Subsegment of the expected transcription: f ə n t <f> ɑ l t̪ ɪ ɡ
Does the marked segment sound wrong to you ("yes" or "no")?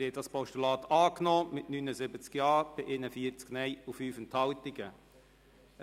yes